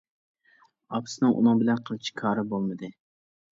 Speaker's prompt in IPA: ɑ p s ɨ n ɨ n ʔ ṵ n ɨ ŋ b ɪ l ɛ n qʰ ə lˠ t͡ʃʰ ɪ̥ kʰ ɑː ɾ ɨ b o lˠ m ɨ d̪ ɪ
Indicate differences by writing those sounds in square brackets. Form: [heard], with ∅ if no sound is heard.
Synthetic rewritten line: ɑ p s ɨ n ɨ [ŋ] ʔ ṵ n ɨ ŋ b ɪ l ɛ n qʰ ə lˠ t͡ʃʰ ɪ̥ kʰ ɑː ɾ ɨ b o lˠ m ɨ d̪ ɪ

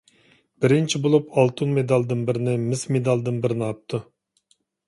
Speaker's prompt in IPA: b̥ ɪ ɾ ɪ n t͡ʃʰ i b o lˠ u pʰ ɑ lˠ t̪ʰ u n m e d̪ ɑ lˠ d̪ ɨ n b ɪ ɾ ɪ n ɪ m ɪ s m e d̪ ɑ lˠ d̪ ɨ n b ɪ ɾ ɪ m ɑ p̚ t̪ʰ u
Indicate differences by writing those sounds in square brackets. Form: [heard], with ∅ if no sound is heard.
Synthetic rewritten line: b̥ ɪ ɾ ɪ n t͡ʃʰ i b o lˠ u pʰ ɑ lˠ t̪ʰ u n m e d̪ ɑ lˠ d̪ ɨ n b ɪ ɾ ɪ n ɪ m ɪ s m e d̪ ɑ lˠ d̪ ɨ n b ɪ ɾ ɪ [n] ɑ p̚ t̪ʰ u

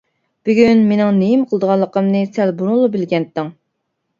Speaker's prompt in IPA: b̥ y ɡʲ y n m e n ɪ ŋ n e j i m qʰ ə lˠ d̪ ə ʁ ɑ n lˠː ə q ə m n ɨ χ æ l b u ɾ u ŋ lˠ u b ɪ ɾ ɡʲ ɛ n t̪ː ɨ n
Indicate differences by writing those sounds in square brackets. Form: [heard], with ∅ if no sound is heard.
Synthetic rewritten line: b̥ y ɡʲ y n m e n ɪ ŋ n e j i m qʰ ə lˠ d̪ ə ʁ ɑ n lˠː ə q ə m n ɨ [s] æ l b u ɾ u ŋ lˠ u b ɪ [l] ɡʲ ɛ n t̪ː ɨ [ŋ]

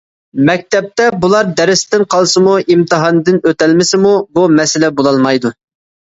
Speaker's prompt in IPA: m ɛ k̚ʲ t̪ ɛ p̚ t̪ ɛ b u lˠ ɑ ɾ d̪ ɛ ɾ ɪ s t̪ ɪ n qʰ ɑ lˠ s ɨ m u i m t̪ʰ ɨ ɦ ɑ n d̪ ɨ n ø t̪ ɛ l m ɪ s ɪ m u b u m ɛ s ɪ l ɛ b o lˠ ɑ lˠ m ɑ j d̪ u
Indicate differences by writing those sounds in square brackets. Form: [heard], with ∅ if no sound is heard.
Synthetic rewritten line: m ɛ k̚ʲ t̪ ɛ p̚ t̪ ɛ b u lˠ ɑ ɾ d̪ ɛ ɾ ɪ s t̪ ɪ n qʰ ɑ lˠ s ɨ m u i m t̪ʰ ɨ ɦ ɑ n d̪ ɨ n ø t̪ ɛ l m ɪ s ɪ m u b u m ɛ s ɪ l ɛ b o lˠ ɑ lˠ m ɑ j d̪ u

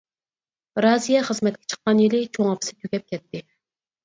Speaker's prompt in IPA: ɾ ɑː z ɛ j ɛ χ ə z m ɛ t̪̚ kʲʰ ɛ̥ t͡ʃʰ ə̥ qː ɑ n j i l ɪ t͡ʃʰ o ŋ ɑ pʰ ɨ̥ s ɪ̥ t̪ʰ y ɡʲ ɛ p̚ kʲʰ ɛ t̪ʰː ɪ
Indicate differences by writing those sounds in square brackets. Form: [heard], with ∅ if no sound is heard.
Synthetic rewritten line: ɾ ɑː z [i] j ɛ χ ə z m ɛ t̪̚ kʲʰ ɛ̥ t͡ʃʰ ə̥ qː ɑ n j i l ɪ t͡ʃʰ o ŋ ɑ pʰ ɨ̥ s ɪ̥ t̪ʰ y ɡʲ ɛ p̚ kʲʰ ɛ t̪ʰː ɪ

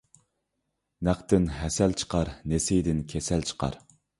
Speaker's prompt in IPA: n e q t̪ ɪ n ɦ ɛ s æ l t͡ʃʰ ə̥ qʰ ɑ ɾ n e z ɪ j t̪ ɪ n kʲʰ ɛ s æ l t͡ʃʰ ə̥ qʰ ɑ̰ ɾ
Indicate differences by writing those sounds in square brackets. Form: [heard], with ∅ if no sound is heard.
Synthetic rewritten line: n [æ] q t̪ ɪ n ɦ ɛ s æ l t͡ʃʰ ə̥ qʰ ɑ ɾ n e [s] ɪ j [d̪] ɪ n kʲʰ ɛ s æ l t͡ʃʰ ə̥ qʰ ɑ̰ ɾ

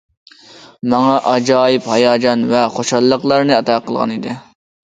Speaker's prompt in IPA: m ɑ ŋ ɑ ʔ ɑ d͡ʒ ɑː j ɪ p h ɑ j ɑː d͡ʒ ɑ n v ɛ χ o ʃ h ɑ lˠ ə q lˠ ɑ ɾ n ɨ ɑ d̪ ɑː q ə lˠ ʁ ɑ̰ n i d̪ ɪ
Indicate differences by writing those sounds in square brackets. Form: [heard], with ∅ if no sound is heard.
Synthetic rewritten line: m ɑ ŋ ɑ ʔ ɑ d͡ʒ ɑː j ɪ p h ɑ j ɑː d͡ʒ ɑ n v ɛ χ o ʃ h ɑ [lˠː] ə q lˠ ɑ ɾ n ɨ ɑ [t̪] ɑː q ə lˠ ʁ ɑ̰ n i d̪ ɪ

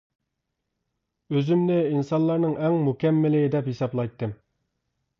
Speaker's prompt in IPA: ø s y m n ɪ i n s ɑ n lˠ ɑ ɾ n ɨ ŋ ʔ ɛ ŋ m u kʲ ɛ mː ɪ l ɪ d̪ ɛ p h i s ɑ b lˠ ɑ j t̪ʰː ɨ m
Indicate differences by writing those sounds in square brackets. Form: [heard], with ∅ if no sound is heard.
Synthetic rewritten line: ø [z] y m n ɪ i n s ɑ n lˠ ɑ ɾ n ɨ ŋ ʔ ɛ ŋ m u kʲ ɛ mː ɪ l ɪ d̪ ɛ p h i s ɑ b lˠ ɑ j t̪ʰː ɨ m

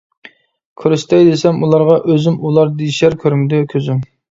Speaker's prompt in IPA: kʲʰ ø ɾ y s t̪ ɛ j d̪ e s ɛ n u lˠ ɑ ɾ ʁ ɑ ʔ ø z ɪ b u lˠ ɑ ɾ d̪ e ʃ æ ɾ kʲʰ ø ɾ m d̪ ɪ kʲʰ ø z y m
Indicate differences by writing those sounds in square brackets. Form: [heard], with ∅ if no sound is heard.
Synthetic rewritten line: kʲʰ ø ɾ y s t̪ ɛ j d̪ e s ɛ [m] u lˠ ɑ ɾ ʁ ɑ ʔ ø z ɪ [m] u lˠ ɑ ɾ d̪ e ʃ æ ɾ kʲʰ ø ɾ m d̪ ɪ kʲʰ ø z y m

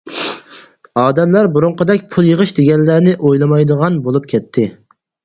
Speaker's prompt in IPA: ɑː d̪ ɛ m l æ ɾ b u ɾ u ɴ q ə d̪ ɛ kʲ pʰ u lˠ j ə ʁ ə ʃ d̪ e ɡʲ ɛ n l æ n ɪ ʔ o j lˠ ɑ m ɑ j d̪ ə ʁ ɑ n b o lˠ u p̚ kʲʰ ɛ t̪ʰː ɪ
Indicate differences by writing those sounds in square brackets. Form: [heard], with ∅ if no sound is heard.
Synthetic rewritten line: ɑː d̪ ɛ m l æ ɾ b u ɾ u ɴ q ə d̪ ɛ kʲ pʰ u lˠ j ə ʁ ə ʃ d̪ e ɡʲ ɛ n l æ n ɪ ʔ o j lˠ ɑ m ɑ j d̪ ə ʁ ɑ n b o lˠ u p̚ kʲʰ ɛ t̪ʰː ɪ

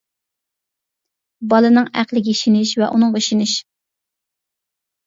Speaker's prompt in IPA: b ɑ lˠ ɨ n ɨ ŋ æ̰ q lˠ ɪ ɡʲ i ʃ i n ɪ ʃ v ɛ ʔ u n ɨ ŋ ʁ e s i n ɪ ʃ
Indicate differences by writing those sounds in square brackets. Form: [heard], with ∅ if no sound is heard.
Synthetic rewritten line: b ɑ lˠ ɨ n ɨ ŋ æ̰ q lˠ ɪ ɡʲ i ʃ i n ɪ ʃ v ɛ ʔ u n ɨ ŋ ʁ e [ʃ] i n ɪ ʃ

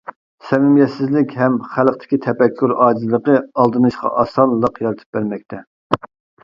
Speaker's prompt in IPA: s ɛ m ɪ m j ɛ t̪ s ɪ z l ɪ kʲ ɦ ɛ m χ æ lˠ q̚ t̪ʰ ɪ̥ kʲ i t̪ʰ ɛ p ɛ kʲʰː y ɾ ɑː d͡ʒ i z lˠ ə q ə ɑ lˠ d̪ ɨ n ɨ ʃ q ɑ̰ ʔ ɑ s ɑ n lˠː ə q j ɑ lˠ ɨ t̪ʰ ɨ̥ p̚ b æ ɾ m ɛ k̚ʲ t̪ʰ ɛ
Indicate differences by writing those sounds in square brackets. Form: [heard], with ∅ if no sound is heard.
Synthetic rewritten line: s ɛ m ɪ m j ɛ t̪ s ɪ z l ɪ kʲ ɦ ɛ m χ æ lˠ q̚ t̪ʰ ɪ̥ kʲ i t̪ʰ ɛ p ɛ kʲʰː y ɾ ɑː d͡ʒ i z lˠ ə q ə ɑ lˠ d̪ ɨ n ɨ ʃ q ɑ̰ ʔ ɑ s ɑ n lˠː ə q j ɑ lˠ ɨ t̪ʰ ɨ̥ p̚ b æ ɾ m ɛ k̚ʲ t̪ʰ ɛ

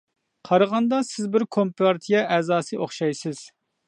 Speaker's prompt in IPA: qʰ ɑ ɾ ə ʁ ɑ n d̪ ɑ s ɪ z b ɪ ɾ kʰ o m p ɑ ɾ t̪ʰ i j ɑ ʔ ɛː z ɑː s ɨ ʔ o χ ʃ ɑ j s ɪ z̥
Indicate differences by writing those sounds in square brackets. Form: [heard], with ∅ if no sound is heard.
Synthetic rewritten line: qʰ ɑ ɾ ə ʁ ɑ n d̪ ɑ s ɪ z b ɪ ɾ kʰ o m p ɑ ɾ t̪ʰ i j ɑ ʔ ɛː z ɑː s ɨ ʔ o χ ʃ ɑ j s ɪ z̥

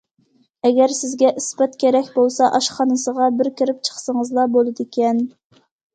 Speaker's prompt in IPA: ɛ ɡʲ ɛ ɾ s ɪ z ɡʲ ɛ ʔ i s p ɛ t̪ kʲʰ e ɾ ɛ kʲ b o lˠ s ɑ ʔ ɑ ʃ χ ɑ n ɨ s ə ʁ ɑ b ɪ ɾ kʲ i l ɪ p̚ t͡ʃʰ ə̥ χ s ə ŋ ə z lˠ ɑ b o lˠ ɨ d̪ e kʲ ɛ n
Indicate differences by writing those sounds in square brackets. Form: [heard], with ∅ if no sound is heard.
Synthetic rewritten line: ɛ ɡʲ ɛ ɾ s ɪ z ɡʲ ɛ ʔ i s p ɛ t̪ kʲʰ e ɾ ɛ kʲ b o lˠ s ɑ ʔ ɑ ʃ χ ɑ n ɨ s ə ʁ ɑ b ɪ ɾ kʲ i [ɾ] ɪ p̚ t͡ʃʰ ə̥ χ s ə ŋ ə z lˠ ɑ b o lˠ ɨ d̪ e kʲ ɛ n

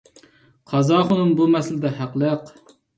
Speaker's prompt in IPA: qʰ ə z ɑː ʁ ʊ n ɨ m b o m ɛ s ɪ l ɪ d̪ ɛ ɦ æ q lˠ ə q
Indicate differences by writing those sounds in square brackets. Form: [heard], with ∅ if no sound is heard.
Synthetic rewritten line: qʰ [ɑ] z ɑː [χ] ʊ n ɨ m b [u] m ɛ s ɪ l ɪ d̪ ɛ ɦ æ q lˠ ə q

